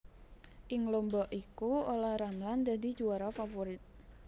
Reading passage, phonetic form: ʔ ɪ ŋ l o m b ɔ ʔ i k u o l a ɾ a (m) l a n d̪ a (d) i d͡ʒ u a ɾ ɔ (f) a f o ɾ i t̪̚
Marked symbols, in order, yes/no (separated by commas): yes, yes, yes